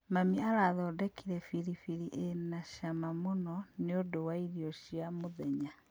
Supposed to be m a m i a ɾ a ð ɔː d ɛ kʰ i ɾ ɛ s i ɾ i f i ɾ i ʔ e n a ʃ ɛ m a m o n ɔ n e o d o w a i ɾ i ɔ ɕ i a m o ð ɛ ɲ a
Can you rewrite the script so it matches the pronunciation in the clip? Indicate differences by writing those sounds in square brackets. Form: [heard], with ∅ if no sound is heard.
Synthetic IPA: m a m i a ɾ a ð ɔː d ɛ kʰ i ɾ ɛ [f] i ɾ i f i ɾ i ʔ e n a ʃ [a] m a m o n ɔ n e o d o w a i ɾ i ɔ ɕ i a m o ð ɛ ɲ a